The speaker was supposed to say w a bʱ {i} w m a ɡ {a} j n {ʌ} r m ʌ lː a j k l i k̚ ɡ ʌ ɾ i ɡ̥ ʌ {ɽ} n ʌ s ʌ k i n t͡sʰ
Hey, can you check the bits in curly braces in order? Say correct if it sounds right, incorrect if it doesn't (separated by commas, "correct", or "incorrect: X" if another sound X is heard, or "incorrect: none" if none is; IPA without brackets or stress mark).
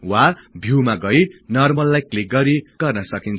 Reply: correct, incorrect: ʌ, correct, incorrect: r